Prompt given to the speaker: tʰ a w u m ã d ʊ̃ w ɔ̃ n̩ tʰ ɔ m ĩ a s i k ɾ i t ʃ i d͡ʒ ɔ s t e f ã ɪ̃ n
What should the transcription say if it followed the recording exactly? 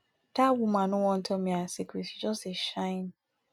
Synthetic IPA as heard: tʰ a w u m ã n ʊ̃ w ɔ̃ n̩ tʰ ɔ m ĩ a s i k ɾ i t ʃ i d͡ʒ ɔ s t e ʃ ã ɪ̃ n